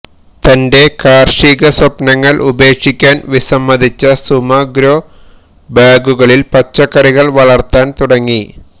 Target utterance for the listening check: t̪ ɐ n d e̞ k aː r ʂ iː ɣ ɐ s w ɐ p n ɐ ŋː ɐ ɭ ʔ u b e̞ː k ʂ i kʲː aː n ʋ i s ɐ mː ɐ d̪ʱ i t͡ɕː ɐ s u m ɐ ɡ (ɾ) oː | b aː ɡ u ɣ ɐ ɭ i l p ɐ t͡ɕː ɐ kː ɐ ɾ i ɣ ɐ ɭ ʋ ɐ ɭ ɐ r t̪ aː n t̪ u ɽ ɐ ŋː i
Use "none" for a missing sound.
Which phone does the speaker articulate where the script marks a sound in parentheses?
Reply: ɾ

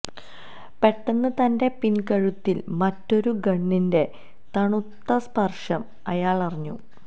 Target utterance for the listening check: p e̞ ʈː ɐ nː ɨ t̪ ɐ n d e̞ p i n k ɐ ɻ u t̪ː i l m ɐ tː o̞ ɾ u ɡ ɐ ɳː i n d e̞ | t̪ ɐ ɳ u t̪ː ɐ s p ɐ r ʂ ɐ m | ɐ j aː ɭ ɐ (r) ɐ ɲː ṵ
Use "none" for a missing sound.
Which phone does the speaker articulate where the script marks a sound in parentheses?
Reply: r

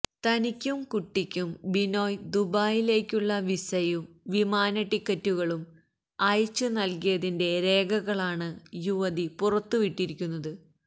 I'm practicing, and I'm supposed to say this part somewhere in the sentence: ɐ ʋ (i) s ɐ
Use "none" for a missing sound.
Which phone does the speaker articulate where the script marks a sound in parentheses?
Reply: i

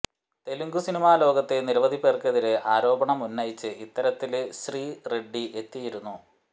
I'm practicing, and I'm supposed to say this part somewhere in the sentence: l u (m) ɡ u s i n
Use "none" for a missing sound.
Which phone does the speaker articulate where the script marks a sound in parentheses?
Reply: ŋ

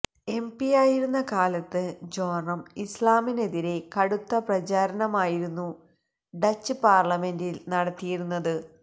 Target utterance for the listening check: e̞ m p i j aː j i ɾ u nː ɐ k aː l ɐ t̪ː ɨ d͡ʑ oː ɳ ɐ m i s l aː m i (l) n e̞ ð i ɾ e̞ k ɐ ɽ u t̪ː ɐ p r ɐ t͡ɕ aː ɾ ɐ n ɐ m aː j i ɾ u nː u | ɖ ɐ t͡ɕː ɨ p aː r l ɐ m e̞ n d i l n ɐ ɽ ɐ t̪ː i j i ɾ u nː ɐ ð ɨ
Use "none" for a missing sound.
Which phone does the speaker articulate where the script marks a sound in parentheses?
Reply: none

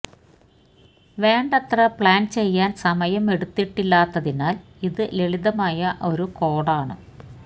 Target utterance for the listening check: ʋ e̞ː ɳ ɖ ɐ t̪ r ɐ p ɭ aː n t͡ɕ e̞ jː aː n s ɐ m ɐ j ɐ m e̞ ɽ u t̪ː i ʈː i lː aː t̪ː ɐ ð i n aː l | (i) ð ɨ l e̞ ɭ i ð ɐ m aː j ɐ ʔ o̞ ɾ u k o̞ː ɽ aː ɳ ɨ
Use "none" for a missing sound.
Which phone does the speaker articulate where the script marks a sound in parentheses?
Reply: i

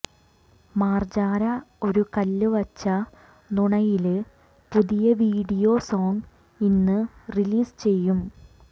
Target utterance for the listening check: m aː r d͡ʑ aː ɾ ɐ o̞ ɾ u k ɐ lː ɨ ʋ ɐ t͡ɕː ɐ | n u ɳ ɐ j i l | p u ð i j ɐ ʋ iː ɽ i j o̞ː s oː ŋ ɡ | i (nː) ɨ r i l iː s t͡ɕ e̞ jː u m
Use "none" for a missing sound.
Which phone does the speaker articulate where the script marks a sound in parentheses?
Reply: nː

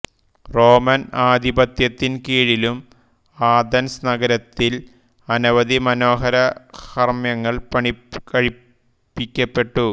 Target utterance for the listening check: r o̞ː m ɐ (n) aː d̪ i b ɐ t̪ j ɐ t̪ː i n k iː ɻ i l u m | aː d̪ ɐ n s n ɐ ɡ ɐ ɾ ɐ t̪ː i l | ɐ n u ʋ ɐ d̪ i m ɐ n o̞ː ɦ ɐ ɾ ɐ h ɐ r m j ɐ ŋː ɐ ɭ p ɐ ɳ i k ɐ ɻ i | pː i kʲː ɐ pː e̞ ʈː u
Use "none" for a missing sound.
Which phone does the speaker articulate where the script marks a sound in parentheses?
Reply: n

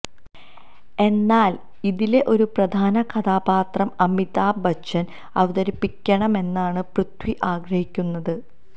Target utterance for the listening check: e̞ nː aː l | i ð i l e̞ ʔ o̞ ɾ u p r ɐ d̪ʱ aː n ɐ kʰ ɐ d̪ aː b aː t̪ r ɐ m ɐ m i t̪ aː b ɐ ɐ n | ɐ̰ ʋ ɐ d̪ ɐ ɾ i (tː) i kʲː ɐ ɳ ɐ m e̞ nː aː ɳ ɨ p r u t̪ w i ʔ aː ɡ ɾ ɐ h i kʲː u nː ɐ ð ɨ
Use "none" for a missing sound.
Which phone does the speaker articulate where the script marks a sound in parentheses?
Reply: pː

